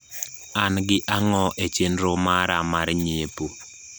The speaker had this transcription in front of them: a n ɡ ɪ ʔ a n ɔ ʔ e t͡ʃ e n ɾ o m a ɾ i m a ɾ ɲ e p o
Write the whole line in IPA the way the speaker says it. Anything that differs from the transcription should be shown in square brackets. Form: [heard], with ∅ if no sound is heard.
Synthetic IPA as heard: a n ɡ ɪ ʔ a [ŋ] ɔ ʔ e t͡ʃ e n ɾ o m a ɾ [a] m a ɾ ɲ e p o